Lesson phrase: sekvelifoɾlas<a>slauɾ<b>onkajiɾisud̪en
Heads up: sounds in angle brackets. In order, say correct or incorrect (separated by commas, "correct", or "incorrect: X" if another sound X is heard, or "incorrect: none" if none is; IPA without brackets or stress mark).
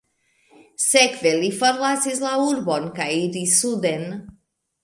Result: incorrect: i, correct